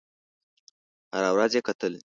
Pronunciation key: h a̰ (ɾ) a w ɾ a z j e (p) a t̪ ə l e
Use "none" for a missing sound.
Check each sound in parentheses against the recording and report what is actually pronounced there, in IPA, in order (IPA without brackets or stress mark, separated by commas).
ɾ, k